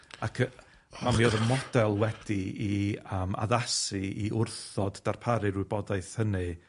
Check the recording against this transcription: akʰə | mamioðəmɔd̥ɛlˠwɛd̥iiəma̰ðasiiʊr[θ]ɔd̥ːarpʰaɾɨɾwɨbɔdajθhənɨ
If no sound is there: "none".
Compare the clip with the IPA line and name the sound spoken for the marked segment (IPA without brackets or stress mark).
θ